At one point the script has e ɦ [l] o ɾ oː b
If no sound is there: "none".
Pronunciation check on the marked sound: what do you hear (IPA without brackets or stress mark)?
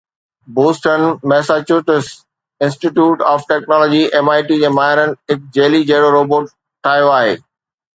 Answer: ɽ